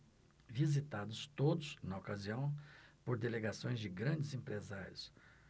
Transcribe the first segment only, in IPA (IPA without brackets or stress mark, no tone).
v